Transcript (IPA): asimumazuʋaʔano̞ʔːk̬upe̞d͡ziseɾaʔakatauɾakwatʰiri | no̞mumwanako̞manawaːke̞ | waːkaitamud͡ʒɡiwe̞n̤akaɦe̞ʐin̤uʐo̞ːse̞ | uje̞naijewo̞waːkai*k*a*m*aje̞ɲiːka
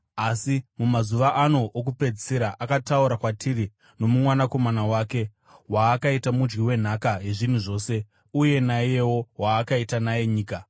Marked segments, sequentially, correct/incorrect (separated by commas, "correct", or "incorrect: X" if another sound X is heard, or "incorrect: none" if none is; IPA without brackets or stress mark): incorrect: t, incorrect: n